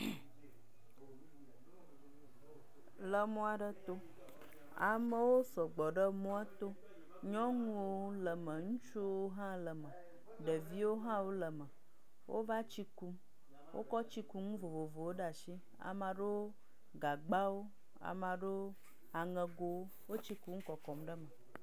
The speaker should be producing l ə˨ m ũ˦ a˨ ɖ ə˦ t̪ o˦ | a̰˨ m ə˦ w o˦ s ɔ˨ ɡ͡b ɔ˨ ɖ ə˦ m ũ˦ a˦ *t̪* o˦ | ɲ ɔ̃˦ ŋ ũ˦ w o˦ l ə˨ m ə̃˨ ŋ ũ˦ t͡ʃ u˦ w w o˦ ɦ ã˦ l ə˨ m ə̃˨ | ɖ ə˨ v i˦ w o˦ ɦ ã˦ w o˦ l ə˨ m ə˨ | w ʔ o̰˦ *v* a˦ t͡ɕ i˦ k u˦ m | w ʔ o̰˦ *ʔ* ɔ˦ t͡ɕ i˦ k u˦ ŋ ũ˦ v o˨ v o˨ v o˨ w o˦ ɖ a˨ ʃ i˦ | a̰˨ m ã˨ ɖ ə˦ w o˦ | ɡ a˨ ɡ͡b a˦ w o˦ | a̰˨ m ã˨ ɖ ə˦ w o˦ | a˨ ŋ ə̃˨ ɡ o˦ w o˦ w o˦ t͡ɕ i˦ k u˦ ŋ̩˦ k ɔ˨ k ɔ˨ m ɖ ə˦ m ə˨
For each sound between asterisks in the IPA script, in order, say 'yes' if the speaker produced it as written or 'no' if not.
yes, yes, no

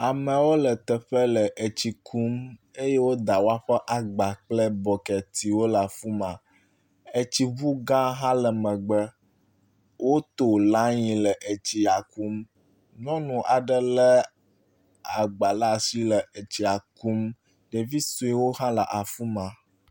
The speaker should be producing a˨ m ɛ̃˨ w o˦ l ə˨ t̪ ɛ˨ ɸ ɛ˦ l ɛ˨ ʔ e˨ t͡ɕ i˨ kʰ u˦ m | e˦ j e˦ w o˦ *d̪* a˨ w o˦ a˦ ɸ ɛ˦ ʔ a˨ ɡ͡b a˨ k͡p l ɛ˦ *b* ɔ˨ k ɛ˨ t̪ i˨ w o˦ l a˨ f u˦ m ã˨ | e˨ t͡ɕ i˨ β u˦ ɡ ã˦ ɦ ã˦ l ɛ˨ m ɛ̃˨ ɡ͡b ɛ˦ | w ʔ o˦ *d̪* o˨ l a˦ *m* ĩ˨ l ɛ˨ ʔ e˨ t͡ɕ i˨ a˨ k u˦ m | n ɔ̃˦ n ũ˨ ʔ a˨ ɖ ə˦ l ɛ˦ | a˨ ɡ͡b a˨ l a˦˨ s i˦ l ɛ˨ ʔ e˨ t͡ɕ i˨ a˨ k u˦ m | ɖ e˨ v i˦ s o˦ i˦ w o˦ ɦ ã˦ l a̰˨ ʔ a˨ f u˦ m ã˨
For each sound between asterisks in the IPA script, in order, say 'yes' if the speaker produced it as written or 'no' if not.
yes, yes, no, no

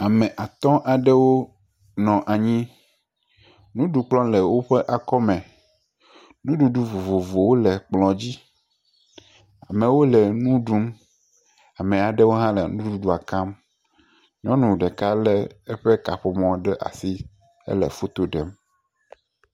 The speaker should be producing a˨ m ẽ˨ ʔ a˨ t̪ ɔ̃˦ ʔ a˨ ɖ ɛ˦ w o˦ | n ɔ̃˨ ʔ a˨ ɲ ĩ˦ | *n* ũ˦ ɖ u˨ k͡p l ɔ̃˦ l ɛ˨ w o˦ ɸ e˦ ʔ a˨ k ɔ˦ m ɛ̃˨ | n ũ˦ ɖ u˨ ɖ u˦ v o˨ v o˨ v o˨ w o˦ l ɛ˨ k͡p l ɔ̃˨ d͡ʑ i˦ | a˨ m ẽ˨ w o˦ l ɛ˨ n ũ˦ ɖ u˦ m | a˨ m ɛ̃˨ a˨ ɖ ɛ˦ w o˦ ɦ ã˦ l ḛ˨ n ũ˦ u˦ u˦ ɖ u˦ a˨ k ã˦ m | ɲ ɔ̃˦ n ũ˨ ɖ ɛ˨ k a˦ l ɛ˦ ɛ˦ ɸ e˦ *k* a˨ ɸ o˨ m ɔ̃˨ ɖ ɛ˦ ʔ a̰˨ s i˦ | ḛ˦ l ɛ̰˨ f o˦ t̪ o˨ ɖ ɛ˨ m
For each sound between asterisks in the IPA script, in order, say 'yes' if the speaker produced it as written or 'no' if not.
yes, yes

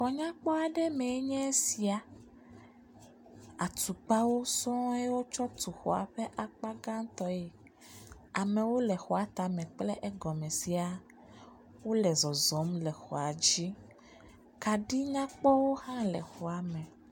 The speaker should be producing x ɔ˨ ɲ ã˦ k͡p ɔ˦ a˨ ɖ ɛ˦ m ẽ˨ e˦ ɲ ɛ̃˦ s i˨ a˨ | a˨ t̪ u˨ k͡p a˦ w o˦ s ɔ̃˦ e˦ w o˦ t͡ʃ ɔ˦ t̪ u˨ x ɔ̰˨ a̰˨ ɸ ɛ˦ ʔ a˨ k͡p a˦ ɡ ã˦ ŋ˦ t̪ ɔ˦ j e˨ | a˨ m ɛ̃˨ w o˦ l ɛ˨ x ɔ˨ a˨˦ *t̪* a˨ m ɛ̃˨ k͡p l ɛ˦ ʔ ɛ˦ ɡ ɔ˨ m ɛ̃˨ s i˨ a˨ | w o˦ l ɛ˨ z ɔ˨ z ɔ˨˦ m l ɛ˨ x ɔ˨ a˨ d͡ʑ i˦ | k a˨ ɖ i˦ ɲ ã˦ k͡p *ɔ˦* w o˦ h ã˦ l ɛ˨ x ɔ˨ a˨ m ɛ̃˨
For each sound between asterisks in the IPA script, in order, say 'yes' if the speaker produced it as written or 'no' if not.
yes, yes

